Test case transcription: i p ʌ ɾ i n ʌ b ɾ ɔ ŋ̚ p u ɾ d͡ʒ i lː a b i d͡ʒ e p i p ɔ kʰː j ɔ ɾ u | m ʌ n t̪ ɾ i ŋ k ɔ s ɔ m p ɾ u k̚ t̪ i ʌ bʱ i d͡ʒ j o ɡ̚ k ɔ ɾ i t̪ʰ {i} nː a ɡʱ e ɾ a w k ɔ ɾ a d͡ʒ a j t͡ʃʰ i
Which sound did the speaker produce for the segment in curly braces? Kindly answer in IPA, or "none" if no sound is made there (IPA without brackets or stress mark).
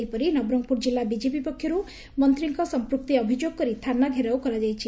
a